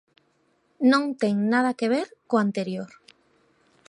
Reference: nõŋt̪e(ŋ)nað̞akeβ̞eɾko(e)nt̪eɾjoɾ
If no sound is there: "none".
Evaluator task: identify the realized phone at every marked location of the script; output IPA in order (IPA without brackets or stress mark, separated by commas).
ŋ, a